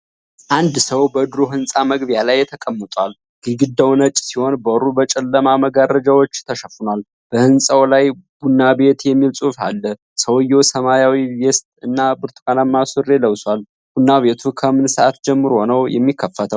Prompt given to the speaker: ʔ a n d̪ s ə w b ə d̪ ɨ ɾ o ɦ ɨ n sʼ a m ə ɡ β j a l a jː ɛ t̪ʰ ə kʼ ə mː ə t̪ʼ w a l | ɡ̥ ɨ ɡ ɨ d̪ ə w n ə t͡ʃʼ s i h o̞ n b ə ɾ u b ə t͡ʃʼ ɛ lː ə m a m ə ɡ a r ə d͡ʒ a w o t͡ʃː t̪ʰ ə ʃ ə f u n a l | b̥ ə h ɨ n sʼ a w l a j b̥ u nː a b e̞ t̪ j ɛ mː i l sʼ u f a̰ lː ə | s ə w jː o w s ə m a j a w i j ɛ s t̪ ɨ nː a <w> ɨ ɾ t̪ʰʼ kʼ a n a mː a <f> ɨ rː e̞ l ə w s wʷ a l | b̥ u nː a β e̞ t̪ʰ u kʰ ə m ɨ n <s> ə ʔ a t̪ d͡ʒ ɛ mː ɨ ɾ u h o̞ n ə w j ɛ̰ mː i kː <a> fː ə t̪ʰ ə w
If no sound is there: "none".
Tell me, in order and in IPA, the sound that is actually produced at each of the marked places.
b, s, s, ə

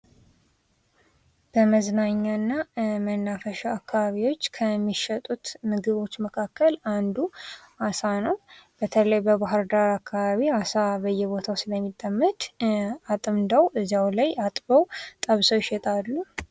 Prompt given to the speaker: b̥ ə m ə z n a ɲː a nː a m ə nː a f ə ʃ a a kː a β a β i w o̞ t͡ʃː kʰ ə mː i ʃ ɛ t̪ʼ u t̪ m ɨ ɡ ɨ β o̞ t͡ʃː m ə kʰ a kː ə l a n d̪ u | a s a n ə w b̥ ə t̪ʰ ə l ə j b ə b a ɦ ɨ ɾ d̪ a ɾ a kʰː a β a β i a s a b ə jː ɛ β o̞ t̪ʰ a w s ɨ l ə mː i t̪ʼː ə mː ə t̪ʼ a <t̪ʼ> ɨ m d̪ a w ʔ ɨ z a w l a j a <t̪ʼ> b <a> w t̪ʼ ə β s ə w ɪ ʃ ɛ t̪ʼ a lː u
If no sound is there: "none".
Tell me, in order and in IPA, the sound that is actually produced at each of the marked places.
t̪ʼ, t̪ʼ, ə

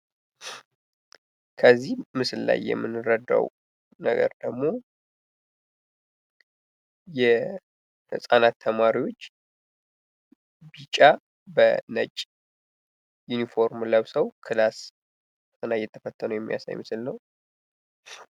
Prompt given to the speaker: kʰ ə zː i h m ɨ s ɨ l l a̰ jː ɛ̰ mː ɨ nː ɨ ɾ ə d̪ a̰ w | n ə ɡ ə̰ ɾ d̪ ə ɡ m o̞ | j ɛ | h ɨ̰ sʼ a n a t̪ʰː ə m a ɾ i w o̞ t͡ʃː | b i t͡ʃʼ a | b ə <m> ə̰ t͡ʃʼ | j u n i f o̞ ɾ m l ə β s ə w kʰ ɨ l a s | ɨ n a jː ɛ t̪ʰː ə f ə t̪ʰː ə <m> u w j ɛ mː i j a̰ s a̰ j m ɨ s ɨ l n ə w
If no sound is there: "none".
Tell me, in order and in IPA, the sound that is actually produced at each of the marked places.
n, n

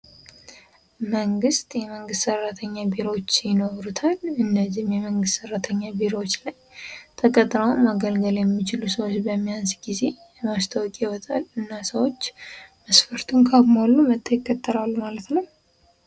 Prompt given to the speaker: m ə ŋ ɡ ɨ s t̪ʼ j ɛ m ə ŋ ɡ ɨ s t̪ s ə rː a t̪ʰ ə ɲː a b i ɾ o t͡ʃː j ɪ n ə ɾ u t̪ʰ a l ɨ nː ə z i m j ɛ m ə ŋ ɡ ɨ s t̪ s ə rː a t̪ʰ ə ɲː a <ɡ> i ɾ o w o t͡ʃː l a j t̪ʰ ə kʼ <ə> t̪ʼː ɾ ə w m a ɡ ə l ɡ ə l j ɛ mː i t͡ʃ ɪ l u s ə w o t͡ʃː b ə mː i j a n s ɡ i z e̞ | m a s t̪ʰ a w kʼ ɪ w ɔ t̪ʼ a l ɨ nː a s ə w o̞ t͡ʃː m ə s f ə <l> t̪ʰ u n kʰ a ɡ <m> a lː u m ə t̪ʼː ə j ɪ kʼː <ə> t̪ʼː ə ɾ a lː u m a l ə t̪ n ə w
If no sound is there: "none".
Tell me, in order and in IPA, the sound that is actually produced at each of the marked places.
b, ə, ɾ, m, ə

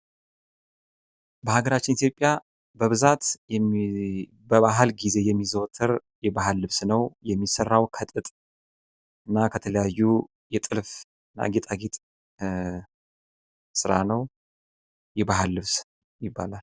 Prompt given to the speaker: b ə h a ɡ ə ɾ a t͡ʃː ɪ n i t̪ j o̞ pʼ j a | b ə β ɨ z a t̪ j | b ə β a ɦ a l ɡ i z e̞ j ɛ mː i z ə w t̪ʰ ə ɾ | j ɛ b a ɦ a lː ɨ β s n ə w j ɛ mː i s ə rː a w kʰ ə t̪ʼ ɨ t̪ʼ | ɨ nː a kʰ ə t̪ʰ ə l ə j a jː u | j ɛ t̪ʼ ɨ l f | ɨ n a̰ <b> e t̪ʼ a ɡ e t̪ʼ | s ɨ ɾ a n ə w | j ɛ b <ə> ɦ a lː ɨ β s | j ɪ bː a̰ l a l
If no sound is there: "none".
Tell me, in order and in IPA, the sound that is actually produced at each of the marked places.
ɡ, a

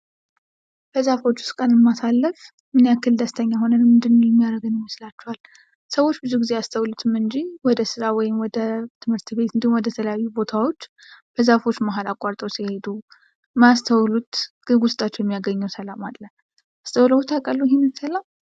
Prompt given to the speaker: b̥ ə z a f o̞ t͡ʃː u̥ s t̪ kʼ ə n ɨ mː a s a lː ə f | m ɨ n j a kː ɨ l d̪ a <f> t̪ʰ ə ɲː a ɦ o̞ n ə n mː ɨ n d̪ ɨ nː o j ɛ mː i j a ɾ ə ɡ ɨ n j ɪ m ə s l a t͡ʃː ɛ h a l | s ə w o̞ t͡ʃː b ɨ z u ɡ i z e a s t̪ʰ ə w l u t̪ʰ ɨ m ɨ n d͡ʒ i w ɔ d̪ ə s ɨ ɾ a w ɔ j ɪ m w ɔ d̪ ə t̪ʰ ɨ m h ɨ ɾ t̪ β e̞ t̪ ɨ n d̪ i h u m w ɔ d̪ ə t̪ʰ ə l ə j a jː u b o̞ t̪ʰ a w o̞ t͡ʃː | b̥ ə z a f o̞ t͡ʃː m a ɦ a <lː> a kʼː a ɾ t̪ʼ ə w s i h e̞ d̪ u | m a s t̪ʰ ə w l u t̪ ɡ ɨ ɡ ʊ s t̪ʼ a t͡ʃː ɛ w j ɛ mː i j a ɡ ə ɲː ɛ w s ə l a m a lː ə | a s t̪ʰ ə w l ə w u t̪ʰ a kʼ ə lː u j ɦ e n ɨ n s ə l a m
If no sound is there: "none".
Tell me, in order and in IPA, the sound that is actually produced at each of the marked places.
s, l

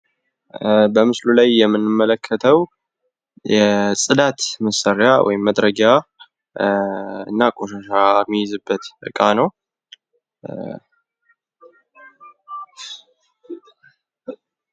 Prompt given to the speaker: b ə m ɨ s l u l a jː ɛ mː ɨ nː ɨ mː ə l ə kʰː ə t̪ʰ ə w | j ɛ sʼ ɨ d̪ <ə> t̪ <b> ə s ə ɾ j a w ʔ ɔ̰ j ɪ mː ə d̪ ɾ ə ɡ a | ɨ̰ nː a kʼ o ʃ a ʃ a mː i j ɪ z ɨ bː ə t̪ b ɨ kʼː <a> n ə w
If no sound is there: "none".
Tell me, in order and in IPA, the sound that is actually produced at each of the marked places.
a, m, a

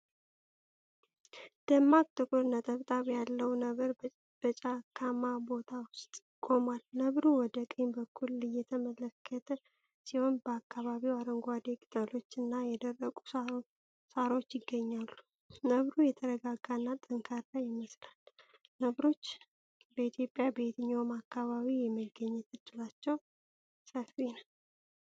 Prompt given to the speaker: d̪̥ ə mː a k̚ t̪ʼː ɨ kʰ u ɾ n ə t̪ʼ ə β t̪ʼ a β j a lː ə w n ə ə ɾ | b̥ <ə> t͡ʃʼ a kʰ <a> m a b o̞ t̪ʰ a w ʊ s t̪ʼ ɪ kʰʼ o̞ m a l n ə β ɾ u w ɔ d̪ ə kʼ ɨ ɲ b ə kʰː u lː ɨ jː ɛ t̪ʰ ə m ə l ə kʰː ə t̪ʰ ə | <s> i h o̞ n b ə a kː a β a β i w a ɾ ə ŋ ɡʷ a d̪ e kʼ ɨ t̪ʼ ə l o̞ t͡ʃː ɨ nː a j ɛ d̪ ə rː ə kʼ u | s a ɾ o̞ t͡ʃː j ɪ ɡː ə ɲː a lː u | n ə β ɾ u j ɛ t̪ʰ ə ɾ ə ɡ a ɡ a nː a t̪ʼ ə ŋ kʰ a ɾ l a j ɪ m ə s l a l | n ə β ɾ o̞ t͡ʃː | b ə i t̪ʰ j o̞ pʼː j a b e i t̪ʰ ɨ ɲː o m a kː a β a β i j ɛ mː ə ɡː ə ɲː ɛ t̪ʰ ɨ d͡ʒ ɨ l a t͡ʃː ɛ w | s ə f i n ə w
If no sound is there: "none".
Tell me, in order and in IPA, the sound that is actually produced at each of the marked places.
ə, a, s

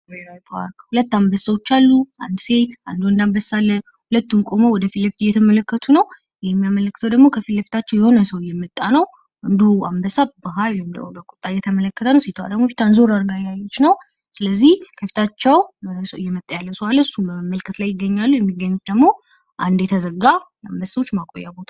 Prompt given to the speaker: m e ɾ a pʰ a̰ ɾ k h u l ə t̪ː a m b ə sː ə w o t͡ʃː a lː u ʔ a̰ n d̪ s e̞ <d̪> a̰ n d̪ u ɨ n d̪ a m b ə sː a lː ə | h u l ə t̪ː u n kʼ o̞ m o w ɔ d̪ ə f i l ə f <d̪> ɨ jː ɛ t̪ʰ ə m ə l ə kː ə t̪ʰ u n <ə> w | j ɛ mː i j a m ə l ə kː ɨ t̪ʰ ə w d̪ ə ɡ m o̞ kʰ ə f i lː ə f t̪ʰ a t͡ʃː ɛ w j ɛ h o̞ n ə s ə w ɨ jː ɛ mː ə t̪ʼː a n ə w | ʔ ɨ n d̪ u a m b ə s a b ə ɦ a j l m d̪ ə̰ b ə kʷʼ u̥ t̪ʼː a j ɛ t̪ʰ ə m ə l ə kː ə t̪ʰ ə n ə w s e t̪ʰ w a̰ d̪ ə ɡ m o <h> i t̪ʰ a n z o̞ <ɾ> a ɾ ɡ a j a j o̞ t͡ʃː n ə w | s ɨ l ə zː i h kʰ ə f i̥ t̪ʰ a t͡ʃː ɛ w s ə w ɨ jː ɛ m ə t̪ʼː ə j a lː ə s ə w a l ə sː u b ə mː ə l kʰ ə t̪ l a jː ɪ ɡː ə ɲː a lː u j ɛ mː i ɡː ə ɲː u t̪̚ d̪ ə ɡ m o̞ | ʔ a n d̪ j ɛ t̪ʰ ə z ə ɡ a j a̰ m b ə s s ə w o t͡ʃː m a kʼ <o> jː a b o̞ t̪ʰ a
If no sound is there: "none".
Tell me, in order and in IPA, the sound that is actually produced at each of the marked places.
t̪, t̪, ə, f, ɾ, o

